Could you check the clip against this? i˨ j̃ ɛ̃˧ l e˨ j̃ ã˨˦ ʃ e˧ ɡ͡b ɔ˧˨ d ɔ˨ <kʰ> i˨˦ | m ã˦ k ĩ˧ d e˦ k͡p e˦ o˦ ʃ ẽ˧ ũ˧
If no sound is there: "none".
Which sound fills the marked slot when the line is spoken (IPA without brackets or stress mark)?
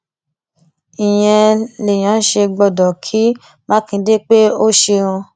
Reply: kʰ